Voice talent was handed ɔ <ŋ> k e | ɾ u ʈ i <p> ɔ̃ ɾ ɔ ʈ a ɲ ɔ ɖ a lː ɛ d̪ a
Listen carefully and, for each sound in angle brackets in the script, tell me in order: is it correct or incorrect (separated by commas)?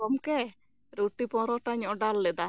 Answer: incorrect, correct